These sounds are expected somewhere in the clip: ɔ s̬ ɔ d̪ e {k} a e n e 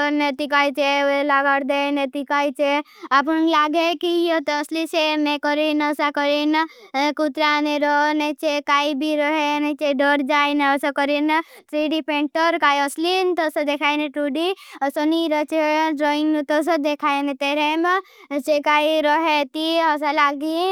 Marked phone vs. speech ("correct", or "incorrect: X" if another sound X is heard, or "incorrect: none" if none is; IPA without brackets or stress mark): incorrect: kʰ